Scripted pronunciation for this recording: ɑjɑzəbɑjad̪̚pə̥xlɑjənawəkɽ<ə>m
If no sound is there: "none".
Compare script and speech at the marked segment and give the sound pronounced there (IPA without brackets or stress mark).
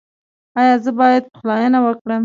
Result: ə